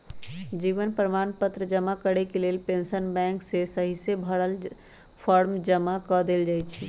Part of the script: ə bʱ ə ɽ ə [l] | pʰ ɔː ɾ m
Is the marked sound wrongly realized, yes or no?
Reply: no